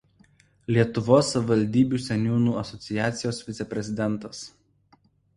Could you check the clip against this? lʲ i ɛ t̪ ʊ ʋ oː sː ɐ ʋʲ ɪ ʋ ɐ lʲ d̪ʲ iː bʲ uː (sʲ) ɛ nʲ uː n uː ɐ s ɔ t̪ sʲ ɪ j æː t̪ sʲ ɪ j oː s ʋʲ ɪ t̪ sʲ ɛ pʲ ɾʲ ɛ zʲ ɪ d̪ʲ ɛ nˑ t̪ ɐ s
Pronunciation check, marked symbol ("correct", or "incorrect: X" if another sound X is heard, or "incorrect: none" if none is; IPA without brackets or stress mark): correct